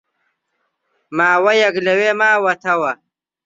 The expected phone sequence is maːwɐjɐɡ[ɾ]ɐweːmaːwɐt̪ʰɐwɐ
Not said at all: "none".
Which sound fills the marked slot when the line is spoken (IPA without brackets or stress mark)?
l